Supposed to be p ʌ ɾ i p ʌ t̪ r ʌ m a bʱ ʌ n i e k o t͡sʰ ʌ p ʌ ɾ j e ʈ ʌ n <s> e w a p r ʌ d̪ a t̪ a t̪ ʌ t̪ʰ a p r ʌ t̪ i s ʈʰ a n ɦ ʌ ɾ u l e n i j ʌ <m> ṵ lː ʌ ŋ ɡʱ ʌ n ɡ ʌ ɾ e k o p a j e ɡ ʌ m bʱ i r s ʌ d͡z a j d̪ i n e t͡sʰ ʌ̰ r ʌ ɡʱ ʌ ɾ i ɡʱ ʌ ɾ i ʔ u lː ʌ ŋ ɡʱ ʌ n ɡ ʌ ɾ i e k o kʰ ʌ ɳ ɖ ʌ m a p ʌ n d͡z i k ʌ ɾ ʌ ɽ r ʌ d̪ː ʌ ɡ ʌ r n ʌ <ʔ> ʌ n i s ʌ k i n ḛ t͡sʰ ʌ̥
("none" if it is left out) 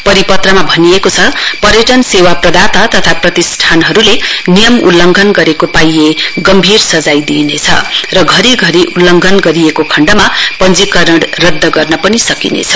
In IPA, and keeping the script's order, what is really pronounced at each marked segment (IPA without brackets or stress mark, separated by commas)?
s, m, p